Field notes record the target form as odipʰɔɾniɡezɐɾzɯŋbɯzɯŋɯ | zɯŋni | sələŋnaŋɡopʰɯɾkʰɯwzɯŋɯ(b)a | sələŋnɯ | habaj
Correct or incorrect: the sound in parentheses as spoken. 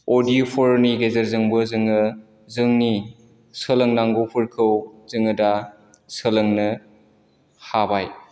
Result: incorrect: d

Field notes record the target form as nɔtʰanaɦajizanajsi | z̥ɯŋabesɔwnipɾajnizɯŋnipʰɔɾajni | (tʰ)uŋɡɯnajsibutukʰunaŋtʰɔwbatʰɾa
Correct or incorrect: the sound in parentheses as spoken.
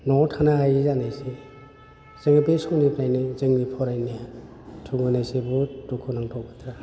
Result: correct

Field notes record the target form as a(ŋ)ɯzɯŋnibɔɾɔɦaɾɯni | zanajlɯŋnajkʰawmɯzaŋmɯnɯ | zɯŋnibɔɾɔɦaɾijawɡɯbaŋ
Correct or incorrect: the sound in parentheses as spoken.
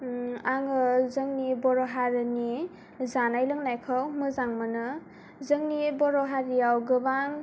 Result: correct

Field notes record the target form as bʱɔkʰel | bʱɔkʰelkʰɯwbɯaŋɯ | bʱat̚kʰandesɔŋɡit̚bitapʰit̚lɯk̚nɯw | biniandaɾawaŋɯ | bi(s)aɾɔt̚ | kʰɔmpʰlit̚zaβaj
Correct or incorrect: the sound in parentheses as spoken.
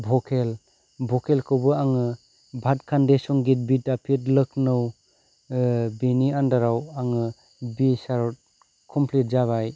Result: correct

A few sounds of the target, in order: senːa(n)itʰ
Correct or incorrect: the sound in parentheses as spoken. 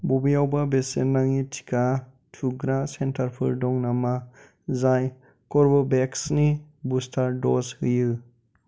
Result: incorrect: ŋ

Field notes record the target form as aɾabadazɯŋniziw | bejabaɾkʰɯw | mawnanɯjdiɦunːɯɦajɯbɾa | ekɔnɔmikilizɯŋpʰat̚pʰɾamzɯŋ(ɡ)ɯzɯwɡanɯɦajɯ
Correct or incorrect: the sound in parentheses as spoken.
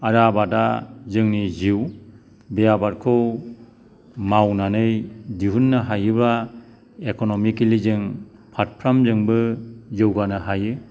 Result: incorrect: b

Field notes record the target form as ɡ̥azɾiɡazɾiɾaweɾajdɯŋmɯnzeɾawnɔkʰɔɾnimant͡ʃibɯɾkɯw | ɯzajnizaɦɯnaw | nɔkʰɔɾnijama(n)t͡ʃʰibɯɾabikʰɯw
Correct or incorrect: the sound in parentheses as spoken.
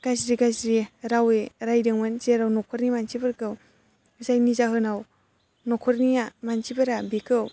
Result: correct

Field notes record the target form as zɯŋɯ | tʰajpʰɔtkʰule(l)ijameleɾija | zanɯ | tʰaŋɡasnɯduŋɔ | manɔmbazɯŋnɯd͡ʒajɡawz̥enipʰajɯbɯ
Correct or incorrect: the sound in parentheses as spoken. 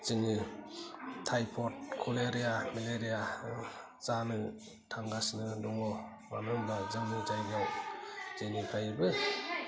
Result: incorrect: ɾ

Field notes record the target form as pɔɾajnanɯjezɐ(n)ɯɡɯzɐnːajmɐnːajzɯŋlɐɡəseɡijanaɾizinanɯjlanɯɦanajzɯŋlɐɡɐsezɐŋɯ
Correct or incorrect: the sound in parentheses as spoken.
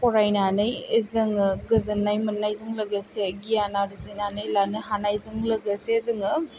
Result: incorrect: ŋ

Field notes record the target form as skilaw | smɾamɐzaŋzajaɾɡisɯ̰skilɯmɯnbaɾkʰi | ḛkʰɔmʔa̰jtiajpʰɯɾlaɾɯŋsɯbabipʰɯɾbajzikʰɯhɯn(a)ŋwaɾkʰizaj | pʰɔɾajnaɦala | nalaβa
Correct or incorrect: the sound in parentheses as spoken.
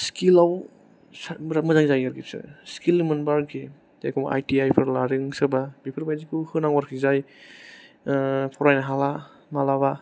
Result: correct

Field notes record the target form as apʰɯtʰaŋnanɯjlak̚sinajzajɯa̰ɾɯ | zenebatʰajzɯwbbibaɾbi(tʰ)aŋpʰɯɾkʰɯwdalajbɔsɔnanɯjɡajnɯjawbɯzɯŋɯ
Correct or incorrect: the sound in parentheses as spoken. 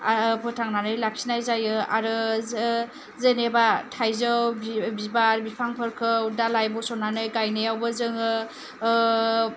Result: incorrect: pʰ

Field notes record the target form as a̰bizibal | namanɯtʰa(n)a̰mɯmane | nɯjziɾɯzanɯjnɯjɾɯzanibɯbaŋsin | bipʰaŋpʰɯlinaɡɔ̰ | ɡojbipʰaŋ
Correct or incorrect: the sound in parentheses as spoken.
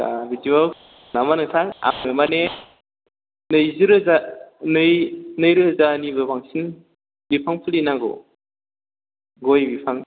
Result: incorrect: ŋ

